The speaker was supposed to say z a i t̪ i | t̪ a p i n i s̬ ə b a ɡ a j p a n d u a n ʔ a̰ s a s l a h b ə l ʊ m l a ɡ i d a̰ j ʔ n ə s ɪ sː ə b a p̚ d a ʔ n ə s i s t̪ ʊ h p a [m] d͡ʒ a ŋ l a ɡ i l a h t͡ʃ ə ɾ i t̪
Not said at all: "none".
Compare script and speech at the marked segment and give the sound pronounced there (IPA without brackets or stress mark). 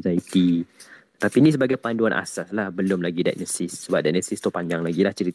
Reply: ɲ